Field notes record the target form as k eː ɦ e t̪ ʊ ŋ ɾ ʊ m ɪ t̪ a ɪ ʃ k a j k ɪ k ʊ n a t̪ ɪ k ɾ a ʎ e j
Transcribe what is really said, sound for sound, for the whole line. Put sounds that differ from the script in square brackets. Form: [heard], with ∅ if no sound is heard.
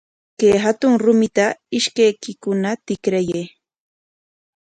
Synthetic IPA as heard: k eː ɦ [a] t̪ ʊ ŋ ɾ ʊ m ɪ t̪ a ɪ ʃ k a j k ɪ k ʊ n a t̪ ɪ k ɾ a [j] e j